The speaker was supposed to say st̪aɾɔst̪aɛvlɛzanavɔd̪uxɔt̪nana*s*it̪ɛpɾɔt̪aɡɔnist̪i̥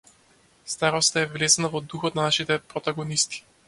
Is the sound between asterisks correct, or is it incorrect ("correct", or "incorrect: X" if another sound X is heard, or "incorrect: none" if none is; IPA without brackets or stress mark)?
incorrect: ʃ